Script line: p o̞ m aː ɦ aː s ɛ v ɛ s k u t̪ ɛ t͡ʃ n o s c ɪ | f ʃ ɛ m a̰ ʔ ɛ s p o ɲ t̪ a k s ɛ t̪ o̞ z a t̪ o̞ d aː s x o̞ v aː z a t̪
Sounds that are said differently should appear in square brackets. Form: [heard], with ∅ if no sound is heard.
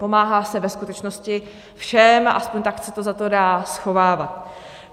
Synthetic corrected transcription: p o̞ m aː ɦ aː s ɛ v ɛ s k u t̪ ɛ t͡ʃ n o s c ɪ | f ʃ ɛ m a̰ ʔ [a] s p o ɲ t̪ a k s ɛ t̪ o̞ z a t̪ o̞ d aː s x o̞ v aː [v] a t̪